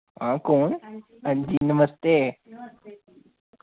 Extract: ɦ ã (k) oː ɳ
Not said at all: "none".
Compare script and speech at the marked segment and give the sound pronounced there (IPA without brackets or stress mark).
k